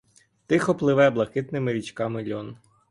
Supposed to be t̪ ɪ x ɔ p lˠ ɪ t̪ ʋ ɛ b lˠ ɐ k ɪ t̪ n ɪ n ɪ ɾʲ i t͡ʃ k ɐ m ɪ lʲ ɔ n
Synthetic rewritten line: t̪ ɪ x ɔ p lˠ ɪ ʋ ɛ b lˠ ɐ k ɪ t̪ n ɪ m ɪ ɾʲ i t͡ʃ k ɑ m ɪ lʲ ɔ n